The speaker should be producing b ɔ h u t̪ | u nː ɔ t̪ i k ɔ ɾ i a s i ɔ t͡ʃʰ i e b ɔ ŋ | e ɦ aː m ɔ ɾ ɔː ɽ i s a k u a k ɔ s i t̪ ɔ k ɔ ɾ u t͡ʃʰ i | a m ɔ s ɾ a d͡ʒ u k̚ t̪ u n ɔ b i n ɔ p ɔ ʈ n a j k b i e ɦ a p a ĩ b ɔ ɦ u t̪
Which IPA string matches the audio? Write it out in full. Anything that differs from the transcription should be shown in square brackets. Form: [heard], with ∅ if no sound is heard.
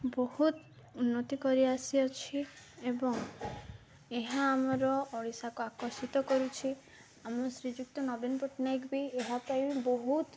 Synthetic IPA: b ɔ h u t̪ | u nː ɔ t̪ i k ɔ ɾ i a s i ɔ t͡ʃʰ i e b ɔ ŋ | e ɦ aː m ɔ ɾ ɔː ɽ i s a k u a k ɔ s i t̪ ɔ k ɔ ɾ u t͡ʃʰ i | a m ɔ s ɾ [i] d͡ʒ u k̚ t̪ [ɔ] n ɔ b i n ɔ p ɔ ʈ n a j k b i e ɦ a p a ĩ b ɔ ɦ u t̪